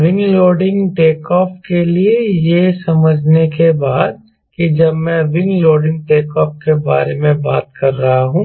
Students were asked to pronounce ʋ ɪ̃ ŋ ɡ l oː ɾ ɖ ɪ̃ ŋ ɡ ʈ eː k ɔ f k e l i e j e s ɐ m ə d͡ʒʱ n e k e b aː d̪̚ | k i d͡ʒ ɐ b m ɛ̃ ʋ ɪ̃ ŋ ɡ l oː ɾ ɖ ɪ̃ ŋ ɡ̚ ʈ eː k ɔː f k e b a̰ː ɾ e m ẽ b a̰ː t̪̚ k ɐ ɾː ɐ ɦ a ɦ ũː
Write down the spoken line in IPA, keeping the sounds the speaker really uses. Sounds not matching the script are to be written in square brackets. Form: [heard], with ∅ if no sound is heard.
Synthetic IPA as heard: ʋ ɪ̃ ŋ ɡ l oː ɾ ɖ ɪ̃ ŋ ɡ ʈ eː k [ɔː] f k e l i e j e s ɐ m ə d͡ʒʱ n e k e b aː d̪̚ | k i d͡ʒ ɐ b m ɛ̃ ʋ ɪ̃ ŋ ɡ l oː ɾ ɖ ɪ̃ ŋ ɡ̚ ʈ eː k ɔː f k e b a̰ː ɾ e m ẽ b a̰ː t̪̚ k ɐ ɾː ɐ ɦ a ɦ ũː

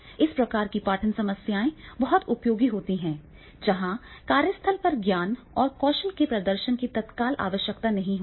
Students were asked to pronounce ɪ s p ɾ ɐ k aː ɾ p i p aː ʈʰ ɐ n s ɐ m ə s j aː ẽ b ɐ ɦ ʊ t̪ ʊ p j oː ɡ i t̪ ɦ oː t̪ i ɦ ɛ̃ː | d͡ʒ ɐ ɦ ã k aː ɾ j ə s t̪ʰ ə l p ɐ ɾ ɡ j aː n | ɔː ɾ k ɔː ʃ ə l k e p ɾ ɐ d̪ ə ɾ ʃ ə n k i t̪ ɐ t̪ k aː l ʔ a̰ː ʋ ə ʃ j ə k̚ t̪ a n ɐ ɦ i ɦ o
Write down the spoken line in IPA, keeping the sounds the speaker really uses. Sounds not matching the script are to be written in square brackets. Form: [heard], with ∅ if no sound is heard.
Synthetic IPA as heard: ɪ s p ɾ ɐ k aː ɾ [k] i p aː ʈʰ [ə] n s ɐ m ə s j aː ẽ b ɐ ɦ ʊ t̪ ʊ p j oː ɡ i [∅] ɦ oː t̪ i ɦ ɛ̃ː | d͡ʒ ɐ ɦ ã k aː ɾ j ə s t̪ʰ ə l p ɐ ɾ ɡ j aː n | ɔː ɾ k ɔː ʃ ə l k e p ɾ ɐ d̪ ə ɾ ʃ ə n k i t̪ ɐ t̪ k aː l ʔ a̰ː ʋ ə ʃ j ə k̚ t̪ a n ɐ ɦ [ĩ] ɦ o

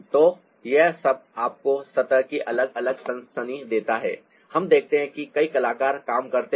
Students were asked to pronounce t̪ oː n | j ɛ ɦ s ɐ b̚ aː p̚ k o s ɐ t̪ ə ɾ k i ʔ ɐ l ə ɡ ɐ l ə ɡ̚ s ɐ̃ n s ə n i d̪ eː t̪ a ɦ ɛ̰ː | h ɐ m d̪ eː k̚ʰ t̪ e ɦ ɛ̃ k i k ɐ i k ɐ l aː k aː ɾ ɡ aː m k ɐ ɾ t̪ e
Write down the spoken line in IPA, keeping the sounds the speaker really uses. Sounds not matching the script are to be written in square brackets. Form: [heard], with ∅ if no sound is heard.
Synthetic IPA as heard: t̪ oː [∅] | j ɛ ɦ s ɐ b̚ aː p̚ k o s ɐ t̪ ə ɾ k i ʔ ɐ l ə ɡ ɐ l ə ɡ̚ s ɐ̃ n s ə n i d̪ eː t̪ a ɦ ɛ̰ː | h ɐ m d̪ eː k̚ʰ t̪ e ɦ ɛ̃ k i k ɐ i k ɐ l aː k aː ɾ [k] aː m k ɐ ɾ t̪ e

